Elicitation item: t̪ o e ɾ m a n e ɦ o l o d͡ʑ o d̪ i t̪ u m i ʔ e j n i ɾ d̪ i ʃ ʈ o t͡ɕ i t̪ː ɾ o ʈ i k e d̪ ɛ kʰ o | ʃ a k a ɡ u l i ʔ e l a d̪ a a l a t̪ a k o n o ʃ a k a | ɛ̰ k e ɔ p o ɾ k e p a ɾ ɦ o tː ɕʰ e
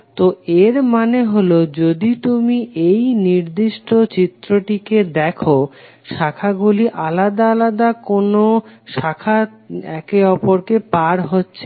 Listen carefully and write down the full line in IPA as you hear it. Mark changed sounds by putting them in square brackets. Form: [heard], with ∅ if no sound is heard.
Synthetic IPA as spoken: t̪ o e ɾ m a n e ɦ o l o d͡ʑ o d̪ i t̪ u m i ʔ e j n i ɾ d̪ i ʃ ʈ o t͡ɕ i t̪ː ɾ o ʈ i k e d̪ ɛ kʰ o | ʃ a [kʰ] a ɡ u l i ʔ [a] l a d̪ a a l a [d̪] a k o n o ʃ a [kʰ] a | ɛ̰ k e ɔ p o ɾ k e p a ɾ ɦ o tː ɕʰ e